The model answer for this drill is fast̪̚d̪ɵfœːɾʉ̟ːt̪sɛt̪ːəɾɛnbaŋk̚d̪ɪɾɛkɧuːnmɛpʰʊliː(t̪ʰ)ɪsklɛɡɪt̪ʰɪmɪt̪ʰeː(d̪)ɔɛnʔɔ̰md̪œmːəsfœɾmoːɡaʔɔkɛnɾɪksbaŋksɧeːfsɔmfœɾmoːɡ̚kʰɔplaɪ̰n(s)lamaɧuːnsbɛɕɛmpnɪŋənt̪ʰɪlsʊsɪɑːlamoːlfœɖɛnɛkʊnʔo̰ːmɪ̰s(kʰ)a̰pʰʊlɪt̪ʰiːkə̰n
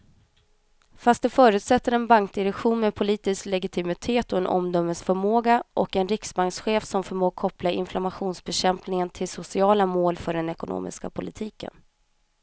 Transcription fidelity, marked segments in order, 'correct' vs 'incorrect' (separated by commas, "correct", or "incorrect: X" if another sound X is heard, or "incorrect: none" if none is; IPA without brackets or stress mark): incorrect: t̪, incorrect: t̪, incorrect: f, incorrect: k